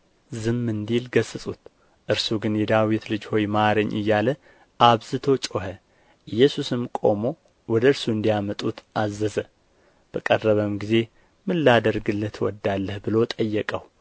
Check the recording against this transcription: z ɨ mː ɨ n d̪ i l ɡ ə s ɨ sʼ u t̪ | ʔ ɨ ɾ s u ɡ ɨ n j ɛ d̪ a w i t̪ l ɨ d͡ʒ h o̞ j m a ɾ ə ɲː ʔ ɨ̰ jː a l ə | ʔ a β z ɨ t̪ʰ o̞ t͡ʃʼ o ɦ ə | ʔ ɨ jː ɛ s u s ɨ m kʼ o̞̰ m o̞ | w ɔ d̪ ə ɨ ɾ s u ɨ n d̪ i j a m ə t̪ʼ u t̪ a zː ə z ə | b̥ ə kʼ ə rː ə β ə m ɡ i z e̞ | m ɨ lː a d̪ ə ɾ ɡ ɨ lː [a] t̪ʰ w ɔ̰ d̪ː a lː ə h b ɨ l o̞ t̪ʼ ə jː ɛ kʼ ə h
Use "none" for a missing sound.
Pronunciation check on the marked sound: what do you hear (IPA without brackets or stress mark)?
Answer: ə